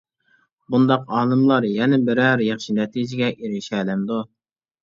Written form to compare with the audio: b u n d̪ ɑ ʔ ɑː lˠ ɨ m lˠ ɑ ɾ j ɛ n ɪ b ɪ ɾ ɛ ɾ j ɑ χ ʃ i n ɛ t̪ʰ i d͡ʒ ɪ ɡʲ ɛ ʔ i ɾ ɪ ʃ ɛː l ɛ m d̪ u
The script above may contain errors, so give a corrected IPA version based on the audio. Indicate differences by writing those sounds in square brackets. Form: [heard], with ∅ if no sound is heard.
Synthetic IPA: b u n d̪ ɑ [q] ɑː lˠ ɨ m lˠ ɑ ɾ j ɛ n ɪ b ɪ ɾ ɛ ɾ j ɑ χ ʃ i n ɛ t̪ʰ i d͡ʒ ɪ ɡʲ ɛ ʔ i ɾ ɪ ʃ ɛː l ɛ m d̪ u